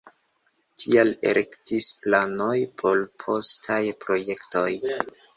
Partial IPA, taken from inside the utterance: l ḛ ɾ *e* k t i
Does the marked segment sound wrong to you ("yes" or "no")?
no